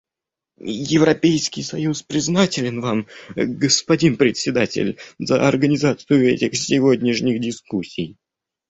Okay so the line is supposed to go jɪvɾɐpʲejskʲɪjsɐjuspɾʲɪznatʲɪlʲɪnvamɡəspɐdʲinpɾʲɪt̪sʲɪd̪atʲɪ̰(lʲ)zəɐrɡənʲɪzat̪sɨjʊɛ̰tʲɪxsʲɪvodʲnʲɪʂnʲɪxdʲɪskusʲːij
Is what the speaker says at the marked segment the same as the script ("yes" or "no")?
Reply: yes